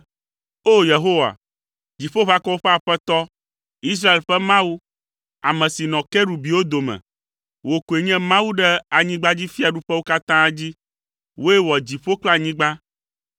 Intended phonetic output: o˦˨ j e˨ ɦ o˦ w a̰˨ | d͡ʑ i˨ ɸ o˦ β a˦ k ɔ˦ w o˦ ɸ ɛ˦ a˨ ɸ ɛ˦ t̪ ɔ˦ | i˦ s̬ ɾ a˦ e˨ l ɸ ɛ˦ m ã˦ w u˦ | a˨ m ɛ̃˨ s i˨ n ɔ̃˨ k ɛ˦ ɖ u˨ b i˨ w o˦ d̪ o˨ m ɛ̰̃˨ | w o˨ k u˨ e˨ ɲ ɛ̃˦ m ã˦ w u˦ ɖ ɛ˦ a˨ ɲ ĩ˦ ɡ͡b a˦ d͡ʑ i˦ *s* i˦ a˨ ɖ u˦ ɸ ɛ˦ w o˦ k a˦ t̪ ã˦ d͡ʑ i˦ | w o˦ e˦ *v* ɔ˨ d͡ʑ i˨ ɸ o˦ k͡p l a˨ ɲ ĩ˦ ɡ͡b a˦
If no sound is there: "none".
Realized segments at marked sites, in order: f, w

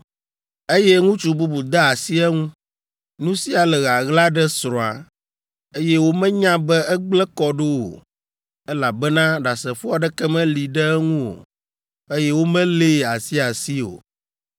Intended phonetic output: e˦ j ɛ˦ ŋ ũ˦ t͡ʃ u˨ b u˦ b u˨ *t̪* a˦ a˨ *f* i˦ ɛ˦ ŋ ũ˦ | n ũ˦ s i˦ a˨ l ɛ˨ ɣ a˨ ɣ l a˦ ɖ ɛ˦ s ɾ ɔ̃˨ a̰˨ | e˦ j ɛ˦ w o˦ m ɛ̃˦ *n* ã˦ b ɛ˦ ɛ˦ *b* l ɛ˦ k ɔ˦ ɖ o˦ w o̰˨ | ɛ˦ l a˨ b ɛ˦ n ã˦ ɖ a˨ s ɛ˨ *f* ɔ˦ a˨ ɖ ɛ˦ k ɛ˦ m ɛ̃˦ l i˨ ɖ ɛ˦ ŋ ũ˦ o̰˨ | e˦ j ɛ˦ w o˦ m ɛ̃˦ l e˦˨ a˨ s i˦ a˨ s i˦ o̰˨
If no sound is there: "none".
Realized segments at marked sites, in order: d̪, s, ɲ, ɡ͡b, f

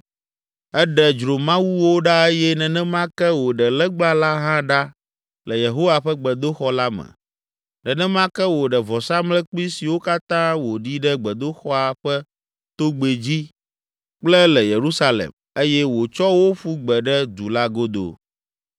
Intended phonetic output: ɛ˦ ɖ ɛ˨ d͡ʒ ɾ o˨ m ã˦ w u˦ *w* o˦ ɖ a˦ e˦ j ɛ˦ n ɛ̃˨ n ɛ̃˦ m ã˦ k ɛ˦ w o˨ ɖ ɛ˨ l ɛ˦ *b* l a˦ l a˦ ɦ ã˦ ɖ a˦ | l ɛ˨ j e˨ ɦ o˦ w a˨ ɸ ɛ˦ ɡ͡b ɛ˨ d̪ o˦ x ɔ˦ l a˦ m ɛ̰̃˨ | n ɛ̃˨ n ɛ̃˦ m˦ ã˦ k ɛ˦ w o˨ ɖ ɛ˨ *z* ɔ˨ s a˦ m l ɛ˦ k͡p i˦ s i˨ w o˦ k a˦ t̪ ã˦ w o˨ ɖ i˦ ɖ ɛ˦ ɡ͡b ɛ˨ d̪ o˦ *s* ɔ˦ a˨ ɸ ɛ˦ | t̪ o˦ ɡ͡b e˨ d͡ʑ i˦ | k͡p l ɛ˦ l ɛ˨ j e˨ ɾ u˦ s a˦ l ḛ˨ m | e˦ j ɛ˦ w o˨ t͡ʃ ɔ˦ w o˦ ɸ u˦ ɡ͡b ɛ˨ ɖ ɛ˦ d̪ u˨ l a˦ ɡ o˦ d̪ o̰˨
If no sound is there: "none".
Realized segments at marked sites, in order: w, ɡ͡b, v, x

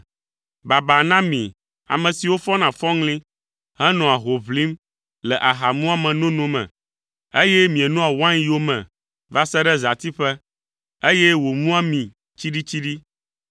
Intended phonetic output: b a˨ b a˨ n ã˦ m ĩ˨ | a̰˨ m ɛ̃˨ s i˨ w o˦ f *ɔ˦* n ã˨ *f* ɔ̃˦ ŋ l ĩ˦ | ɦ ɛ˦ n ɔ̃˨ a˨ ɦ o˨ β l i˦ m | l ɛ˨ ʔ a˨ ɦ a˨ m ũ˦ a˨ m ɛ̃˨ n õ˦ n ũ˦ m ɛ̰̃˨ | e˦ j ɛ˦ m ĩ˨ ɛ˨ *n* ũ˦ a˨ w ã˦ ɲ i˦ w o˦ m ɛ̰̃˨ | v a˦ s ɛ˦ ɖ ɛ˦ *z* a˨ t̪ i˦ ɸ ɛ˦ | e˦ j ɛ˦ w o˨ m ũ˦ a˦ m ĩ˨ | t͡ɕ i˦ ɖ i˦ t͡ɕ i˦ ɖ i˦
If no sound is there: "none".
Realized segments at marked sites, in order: ɔ˦, f, n, z

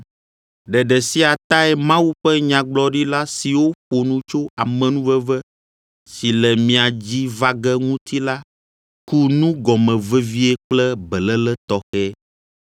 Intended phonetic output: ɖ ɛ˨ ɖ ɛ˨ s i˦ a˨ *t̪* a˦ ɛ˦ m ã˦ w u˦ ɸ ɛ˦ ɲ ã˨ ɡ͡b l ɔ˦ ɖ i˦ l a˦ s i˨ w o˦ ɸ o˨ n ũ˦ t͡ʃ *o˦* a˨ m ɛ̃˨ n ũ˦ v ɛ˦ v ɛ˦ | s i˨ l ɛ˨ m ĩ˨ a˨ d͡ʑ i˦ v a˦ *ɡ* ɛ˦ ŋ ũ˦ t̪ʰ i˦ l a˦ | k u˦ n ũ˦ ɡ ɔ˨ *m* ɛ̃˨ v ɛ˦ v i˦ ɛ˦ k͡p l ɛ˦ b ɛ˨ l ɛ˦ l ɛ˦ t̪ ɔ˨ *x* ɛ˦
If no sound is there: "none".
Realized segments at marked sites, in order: t̪, o˦, ɡ, m, x

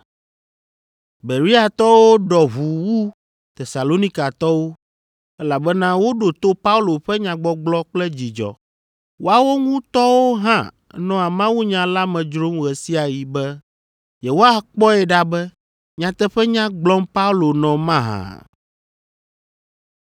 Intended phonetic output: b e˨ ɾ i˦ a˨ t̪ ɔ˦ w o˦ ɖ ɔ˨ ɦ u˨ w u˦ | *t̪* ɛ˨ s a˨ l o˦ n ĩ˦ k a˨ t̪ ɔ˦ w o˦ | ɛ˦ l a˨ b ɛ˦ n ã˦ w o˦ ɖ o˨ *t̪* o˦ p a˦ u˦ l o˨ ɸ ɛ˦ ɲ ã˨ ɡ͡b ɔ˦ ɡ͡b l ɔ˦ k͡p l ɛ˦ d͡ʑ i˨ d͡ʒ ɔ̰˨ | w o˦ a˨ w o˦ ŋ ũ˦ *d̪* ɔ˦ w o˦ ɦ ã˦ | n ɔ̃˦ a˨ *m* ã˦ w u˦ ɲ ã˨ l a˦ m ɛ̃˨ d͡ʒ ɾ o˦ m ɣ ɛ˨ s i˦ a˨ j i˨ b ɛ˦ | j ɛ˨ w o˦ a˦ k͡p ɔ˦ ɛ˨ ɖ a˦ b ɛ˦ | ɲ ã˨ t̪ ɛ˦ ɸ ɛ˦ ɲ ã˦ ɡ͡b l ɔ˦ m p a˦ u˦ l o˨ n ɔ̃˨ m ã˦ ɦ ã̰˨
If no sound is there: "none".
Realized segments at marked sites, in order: t̪, t̪, t̪, m

